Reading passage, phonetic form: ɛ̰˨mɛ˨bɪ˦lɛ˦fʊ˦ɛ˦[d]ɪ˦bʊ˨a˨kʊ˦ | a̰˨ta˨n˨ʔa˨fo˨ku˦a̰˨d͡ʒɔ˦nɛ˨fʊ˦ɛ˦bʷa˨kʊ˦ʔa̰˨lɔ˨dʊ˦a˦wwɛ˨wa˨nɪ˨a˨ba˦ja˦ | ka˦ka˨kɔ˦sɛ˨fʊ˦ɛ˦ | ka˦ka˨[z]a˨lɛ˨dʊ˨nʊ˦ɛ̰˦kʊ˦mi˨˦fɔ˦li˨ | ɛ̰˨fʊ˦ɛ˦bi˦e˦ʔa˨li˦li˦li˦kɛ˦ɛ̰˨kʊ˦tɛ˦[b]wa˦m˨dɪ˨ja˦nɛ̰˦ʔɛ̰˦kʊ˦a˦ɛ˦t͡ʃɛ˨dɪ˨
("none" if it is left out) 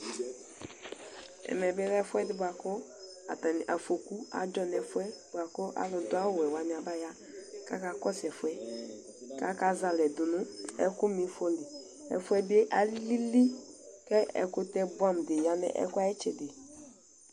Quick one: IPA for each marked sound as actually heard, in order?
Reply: d, z, b

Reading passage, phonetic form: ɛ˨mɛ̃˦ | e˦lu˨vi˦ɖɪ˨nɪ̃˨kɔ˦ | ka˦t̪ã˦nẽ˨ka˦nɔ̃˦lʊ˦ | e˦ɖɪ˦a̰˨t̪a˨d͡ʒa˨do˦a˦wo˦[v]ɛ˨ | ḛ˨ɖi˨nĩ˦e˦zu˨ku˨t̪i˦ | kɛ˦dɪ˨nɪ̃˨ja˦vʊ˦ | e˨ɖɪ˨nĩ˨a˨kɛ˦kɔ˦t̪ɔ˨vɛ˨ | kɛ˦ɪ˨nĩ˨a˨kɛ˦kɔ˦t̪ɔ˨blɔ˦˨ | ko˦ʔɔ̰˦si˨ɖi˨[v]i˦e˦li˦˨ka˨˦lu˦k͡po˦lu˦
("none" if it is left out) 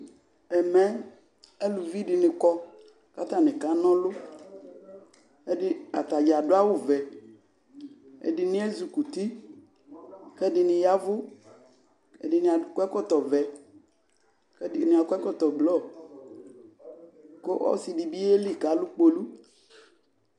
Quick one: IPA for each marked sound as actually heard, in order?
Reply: v, b

